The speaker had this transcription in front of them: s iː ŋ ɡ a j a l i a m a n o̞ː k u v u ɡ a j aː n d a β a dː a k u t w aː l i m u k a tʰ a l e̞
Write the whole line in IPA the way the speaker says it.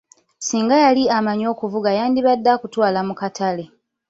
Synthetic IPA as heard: s iː ŋ ɡ a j a l i a m a ɲ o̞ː k u v u ɡ a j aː n d i β a dː a k u t w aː l a m u k a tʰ a l e̞